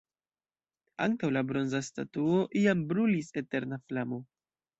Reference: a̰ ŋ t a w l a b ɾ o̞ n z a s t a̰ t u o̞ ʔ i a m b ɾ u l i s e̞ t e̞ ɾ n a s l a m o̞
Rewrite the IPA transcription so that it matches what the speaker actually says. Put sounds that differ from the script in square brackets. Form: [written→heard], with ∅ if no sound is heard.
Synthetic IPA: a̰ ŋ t a w l a b ɾ o̞ n z a s t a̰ t u o̞ ʔ i a m b ɾ u l i s e̞ t e̞ ɾ n a [s→f] l a m o̞